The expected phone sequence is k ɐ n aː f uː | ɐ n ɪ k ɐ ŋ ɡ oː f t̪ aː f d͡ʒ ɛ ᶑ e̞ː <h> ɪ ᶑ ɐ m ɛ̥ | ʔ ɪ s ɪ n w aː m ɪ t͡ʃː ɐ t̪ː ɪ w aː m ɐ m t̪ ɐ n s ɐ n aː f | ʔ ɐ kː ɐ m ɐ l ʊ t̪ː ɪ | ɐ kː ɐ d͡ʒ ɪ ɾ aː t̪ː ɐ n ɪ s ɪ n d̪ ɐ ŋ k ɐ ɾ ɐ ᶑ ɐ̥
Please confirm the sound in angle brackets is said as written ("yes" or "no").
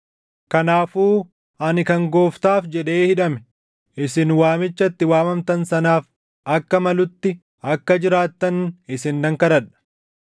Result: yes